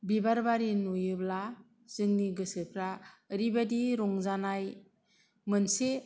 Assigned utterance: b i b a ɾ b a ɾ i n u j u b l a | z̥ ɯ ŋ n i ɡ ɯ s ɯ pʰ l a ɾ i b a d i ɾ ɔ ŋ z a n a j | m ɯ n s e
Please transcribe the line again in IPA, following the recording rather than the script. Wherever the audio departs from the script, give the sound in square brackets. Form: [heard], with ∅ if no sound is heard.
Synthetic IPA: b i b a ɾ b a ɾ i n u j [ɯ] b l a | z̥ ɯ ŋ n i ɡ ɯ s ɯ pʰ [ɾ] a ɾ i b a d i ɾ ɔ ŋ z a n a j | m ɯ n s e